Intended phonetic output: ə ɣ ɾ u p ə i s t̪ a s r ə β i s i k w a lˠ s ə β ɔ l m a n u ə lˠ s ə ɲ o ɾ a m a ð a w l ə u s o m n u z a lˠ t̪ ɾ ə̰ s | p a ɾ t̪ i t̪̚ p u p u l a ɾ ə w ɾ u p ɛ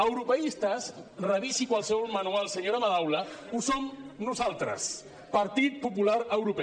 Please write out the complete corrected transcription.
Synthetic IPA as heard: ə w ɾ u p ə i s t̪ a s r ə β i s i k w a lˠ s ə β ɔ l m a n u a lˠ s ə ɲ o ɾ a m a ð a w l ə u s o m n u z a lˠ t̪ ɾ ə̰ s | p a ɾ t̪ i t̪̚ p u p u l a ɾ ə w ɾ u p ɛ